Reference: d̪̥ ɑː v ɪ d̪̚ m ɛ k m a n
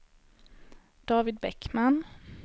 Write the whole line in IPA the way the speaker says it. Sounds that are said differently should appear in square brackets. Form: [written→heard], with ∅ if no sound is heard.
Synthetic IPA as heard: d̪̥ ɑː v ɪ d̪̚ [m→b] ɛ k m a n